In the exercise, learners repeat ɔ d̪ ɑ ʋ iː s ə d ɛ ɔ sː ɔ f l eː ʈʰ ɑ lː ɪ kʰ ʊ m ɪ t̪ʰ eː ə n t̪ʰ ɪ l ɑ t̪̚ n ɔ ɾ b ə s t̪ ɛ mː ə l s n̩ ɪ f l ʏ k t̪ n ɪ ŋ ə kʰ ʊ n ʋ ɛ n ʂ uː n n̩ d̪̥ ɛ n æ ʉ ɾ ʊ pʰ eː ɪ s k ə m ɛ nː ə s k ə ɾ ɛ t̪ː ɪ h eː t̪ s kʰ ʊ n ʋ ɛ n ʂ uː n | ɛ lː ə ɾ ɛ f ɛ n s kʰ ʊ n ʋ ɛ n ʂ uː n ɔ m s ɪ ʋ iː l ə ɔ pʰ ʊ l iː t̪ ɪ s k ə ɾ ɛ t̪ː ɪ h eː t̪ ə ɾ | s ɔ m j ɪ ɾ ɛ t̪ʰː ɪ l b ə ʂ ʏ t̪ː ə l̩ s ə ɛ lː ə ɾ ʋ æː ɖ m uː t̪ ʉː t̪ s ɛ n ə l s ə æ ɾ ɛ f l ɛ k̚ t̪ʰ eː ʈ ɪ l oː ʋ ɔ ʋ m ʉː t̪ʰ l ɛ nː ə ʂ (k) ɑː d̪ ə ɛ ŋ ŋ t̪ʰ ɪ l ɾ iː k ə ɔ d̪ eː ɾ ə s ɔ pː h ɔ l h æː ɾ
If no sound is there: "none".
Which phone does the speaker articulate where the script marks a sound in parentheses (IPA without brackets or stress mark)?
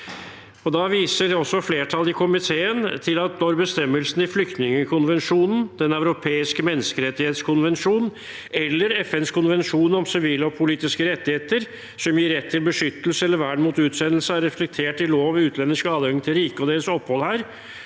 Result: k